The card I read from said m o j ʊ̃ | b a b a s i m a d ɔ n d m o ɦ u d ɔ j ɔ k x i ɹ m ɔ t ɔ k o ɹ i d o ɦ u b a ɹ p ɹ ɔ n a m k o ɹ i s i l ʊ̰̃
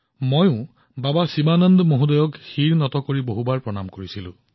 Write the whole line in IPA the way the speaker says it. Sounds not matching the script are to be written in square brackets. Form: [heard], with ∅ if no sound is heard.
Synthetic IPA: m o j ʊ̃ | b a b a s i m a [n] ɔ n d m o ɦ u d ɔ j ɔ k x i ɹ [n] ɔ t ɔ k o ɹ i [b] o ɦ u b a ɹ p ɹ ɔ n a m k o ɹ i s i l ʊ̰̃